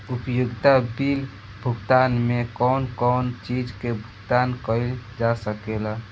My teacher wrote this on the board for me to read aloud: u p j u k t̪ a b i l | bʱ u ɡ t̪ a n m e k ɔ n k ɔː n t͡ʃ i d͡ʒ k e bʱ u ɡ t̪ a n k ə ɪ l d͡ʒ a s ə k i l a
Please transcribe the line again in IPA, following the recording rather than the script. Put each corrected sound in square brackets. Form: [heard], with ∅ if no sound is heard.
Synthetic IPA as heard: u p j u [ɡ] t̪ a b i l | bʱ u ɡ t̪ a n m e k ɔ n k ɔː n t͡ʃ i d͡ʒ k e bʱ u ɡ t̪ a n k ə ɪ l d͡ʒ a s ə k [e] l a

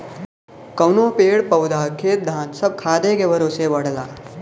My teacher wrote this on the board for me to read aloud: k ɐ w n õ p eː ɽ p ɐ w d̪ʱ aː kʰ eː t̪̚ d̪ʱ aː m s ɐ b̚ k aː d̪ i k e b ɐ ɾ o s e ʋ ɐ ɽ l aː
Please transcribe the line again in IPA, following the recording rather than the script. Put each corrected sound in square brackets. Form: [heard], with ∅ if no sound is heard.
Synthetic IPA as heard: k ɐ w n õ p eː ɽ p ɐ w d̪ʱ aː kʰ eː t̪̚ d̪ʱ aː [n] s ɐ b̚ [kʰ] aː d̪ [e] k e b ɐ ɾ o s e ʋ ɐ ɽ l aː

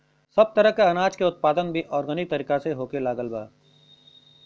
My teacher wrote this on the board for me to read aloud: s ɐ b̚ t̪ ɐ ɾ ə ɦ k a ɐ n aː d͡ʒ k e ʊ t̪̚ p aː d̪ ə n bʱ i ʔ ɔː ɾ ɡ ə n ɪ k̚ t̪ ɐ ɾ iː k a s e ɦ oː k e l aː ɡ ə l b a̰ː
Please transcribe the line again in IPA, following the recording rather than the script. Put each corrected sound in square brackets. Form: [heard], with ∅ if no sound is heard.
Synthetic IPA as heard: s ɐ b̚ t̪ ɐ ɾ ə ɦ k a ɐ n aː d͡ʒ k e ʊ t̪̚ p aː d̪ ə n bʱ i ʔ ɔː ɾ ɡ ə n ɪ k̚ t̪ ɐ ɾ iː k a s e ɦ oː k e l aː ɡ ə l b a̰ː

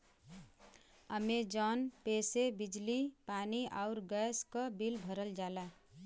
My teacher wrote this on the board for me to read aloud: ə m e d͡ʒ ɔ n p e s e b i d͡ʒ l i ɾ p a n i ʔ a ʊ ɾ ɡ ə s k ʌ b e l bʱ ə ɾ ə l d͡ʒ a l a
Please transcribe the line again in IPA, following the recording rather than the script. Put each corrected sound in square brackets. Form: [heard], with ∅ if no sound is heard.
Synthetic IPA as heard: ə m e d͡ʒ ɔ n p e s e b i d͡ʒ l i [∅] p a n i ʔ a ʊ ɾ ɡ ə s k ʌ b [i] l bʱ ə ɾ ə l d͡ʒ a l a

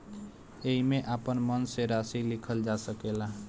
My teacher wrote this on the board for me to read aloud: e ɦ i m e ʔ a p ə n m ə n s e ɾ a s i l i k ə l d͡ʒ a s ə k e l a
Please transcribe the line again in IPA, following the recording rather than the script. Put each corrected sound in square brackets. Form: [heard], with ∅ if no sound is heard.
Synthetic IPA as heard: e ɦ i m e ʔ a p ə n m ə n s e ɾ a s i l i [kʰ] ə l d͡ʒ a s ə k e l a

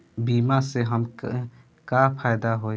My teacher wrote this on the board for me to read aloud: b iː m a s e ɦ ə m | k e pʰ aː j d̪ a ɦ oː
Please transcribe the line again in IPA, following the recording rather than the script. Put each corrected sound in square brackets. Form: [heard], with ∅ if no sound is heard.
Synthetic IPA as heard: b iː m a s e ɦ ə m | k [a] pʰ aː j d̪ a ɦ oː

